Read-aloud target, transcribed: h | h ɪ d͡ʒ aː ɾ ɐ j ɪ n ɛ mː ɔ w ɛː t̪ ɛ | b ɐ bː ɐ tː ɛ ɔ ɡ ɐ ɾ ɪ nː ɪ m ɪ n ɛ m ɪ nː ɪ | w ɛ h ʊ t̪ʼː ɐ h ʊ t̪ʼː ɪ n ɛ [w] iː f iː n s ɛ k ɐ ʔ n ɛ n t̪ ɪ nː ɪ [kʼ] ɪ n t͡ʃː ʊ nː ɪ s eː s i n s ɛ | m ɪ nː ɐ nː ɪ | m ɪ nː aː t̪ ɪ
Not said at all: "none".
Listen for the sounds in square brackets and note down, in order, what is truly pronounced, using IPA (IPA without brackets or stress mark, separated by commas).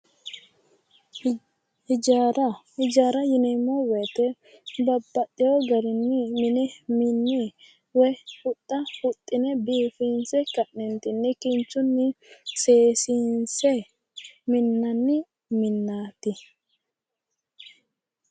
b, k